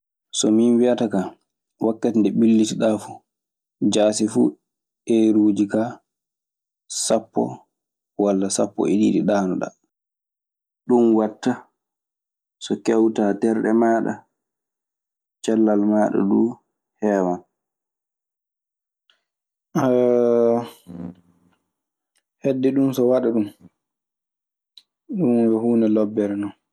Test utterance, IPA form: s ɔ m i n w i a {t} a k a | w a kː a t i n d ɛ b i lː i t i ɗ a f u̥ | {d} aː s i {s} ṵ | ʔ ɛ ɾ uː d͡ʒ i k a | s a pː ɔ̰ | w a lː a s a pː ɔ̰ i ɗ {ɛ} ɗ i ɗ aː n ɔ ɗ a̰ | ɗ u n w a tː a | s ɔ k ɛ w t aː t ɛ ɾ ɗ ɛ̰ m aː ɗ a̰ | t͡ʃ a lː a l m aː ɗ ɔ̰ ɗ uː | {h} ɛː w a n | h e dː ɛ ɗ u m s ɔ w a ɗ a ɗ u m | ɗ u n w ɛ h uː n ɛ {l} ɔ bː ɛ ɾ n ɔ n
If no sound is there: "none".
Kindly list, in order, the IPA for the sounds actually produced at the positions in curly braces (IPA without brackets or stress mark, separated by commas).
t, d͡ʒ, f, i, h, l